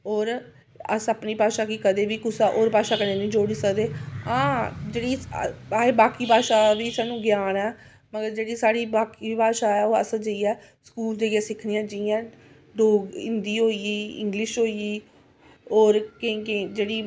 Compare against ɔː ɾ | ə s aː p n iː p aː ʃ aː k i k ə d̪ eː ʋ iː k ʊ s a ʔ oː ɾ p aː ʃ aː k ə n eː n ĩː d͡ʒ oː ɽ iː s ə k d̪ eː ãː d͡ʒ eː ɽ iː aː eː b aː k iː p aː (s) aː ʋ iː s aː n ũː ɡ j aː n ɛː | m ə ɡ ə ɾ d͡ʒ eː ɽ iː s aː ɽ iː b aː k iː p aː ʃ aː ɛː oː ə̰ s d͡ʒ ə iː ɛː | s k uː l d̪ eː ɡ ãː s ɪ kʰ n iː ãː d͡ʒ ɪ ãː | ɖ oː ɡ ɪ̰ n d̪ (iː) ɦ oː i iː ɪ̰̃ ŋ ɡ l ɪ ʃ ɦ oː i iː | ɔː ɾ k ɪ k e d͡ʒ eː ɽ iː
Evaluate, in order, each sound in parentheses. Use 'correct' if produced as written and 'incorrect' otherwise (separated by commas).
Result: incorrect, correct